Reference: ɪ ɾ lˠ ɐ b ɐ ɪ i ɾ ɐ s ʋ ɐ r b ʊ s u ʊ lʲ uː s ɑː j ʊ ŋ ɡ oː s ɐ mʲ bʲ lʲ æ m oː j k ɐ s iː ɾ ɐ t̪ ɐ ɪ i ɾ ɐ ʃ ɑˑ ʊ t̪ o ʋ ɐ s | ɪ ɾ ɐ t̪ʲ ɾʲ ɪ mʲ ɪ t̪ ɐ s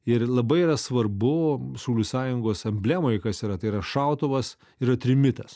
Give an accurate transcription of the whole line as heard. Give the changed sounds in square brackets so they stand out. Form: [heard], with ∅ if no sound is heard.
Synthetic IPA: ɪ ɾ lˠ ɐ b ɐ ɪ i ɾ ɐ s ʋ ɐ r b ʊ s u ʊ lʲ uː s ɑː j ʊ ŋ ɡ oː s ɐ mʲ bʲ lʲ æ m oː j k ɐ s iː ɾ ɐ t̪ ɐ ɪ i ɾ ɐ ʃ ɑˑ ʊ t̪ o ʋ ɐ s | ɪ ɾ ɐ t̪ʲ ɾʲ ɪ mʲ ɪ t̪ ɐ s